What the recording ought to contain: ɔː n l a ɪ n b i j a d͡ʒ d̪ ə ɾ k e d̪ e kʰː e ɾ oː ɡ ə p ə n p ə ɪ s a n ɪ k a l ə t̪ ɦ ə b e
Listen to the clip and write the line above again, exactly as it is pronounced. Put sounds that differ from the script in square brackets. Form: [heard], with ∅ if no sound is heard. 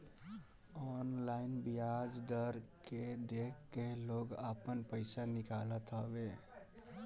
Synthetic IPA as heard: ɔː n l a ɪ n b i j a d͡ʒ d̪ ə ɾ k e d̪ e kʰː e [l] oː ɡ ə p ə n p ə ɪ s a n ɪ k a l ə t̪ ɦ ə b e